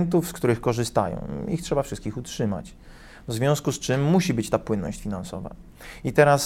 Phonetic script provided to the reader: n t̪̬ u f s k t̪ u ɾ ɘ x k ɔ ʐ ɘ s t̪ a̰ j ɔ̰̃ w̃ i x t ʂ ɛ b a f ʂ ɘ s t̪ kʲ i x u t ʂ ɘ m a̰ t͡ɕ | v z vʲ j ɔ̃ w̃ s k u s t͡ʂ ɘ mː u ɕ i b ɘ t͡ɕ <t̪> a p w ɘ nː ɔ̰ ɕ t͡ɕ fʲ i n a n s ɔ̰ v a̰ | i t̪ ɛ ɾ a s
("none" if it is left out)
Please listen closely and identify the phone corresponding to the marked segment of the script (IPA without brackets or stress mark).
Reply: t̪